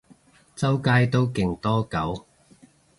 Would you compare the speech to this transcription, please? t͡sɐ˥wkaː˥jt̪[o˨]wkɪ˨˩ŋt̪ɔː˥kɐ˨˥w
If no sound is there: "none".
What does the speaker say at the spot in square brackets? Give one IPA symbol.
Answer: o˥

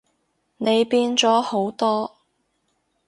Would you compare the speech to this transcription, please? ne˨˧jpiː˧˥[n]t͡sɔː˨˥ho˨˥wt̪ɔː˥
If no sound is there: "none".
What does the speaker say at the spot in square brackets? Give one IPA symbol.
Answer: n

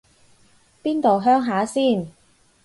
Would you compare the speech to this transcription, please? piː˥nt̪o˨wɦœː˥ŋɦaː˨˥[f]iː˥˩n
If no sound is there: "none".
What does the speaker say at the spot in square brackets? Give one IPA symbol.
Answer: s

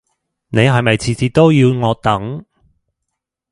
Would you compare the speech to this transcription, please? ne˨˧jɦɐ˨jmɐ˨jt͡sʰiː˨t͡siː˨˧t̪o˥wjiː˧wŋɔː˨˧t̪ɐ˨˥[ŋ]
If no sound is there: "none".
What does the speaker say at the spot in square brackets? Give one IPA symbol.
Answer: ŋ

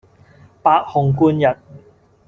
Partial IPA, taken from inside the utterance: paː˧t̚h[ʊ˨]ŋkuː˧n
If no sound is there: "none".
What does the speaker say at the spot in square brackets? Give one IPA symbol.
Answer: ʊ˨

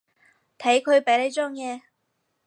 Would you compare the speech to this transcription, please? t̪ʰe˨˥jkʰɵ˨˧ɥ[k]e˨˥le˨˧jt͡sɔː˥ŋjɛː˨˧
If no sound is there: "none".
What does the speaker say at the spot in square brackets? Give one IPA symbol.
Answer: p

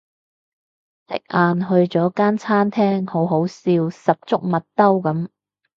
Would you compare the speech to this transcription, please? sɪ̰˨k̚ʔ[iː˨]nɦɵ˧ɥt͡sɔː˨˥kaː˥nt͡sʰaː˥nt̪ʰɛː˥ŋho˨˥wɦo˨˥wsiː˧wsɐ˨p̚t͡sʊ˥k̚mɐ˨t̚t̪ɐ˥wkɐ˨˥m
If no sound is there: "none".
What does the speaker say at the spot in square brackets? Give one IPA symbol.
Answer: aː˨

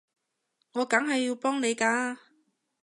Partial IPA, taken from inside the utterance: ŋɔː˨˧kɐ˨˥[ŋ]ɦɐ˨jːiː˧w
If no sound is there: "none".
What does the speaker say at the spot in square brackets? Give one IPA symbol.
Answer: ŋ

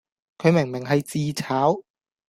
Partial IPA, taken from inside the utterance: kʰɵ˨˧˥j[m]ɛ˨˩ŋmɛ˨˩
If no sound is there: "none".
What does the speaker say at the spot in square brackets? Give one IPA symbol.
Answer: m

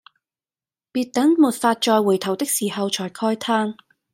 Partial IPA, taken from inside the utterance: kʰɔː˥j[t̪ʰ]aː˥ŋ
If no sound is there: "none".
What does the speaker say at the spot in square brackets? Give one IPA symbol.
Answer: t̪ʰ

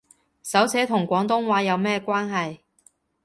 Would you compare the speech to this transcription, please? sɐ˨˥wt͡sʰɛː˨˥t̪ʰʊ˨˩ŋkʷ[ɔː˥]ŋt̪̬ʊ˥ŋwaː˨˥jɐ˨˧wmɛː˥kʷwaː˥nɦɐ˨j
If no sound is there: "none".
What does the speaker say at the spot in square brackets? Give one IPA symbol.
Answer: ɔː˨˥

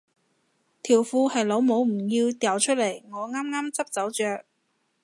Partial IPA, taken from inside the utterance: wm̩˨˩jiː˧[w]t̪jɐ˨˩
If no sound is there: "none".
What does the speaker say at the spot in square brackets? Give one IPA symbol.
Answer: w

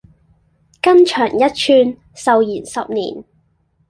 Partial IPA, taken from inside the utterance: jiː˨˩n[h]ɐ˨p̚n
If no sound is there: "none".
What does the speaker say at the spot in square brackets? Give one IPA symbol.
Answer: s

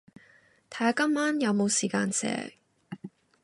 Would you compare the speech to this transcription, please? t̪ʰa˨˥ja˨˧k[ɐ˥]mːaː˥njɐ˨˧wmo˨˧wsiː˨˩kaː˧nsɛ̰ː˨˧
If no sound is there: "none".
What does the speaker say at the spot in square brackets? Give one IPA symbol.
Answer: ɐ˥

